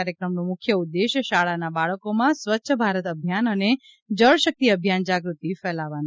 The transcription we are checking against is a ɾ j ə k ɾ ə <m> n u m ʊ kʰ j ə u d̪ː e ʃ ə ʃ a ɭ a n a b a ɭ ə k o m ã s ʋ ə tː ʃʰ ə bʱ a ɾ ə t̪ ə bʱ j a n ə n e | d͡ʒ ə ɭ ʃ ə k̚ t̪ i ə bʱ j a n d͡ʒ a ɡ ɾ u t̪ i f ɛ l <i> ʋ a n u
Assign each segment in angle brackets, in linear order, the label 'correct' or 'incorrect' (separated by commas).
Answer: correct, incorrect